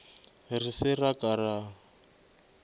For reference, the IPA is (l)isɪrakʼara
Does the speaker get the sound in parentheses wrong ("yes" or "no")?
yes